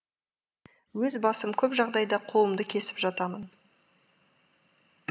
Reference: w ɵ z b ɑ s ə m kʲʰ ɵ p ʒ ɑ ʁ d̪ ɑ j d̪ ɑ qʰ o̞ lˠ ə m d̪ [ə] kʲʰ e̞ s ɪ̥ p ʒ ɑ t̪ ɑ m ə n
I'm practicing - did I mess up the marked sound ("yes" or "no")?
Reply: no